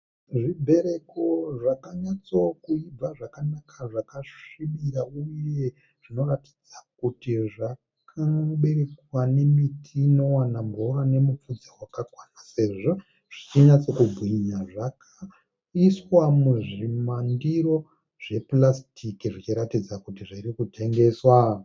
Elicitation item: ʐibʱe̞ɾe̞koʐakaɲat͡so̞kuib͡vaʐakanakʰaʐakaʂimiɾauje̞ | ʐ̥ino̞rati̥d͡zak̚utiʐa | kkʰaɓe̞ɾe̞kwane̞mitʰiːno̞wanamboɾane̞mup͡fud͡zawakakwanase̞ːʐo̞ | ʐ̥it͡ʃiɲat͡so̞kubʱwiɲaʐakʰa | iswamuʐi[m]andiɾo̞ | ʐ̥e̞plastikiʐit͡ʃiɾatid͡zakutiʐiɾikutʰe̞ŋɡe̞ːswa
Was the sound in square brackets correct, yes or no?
yes